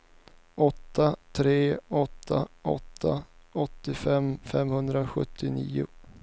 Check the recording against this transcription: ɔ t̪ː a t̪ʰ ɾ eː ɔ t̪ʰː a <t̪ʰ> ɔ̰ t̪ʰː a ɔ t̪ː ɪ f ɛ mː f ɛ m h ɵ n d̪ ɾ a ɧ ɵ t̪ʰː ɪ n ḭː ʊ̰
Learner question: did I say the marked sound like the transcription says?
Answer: no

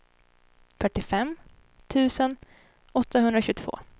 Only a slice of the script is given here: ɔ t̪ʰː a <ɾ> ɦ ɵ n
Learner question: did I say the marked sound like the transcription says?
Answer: no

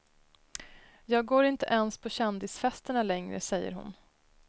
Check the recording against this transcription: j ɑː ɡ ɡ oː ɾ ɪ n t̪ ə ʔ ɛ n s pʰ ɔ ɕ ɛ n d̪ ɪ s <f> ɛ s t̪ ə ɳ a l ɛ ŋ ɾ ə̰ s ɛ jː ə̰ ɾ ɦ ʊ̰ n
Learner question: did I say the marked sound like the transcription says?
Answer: yes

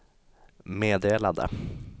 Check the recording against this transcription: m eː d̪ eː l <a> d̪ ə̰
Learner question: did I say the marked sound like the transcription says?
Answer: yes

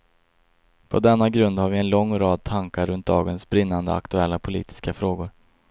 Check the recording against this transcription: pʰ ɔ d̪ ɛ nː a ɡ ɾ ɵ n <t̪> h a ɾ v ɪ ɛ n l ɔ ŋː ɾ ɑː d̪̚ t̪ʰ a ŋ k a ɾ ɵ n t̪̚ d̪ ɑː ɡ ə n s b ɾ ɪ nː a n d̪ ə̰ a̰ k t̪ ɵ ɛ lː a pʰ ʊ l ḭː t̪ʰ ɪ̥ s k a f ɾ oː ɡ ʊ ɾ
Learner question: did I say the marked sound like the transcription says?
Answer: no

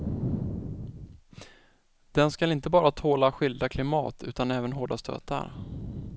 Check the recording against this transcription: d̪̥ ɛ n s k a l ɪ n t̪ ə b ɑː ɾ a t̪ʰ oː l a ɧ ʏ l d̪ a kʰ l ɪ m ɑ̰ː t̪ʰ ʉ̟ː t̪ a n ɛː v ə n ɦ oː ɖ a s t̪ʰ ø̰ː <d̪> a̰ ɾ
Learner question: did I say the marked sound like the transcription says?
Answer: no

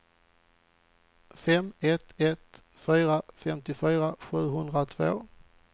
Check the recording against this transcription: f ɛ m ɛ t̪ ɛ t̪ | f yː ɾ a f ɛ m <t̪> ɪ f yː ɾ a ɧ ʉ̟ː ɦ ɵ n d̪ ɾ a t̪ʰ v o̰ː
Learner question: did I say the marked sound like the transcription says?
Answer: yes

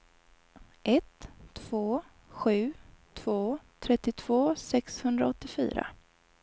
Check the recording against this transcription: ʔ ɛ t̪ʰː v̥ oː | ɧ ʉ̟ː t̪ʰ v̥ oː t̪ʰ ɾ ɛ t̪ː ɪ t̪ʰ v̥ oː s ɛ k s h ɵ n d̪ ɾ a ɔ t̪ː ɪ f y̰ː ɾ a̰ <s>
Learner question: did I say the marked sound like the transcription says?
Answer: no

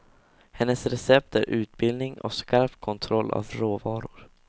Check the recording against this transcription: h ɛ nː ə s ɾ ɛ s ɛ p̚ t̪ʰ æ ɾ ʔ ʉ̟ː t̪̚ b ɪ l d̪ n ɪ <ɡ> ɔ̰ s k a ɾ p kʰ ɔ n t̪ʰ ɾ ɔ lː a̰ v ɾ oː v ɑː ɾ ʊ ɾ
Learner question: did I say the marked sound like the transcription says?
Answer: no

